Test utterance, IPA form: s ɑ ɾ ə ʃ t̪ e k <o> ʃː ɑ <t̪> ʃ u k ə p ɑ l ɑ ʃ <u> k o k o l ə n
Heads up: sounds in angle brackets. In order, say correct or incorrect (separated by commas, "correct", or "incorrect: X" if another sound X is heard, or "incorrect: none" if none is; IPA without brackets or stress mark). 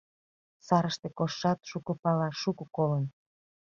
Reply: correct, correct, correct